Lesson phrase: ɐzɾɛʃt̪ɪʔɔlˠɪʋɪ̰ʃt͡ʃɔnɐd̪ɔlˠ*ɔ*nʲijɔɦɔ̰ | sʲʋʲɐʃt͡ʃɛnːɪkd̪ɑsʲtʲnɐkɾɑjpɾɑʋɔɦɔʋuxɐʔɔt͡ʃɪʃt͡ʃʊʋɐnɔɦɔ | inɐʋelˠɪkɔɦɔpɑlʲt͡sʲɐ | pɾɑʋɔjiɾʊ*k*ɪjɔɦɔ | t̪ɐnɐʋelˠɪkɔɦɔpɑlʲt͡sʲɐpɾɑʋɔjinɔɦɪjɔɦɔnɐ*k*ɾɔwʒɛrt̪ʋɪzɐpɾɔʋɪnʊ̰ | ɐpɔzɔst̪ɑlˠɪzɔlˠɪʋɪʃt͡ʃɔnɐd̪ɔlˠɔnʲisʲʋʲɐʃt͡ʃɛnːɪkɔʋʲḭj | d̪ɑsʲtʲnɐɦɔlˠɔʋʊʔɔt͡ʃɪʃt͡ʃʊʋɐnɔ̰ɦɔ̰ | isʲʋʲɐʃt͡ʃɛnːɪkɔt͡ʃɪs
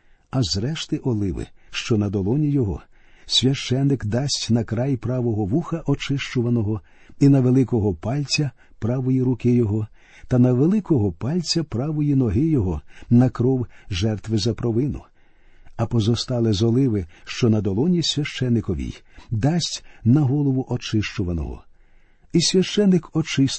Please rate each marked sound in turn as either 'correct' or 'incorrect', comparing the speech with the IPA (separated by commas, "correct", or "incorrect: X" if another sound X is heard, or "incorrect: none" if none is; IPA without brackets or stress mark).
correct, correct, correct